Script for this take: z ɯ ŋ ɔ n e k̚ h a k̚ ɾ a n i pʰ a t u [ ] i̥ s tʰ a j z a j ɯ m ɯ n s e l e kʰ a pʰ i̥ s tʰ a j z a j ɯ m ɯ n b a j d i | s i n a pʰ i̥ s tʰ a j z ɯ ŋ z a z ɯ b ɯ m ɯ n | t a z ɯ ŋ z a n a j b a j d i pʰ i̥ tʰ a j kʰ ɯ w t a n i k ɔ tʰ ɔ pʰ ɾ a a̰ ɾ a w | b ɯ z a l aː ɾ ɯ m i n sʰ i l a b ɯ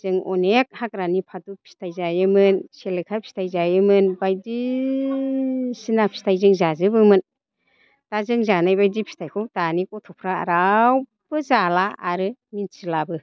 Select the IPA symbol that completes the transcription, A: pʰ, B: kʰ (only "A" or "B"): A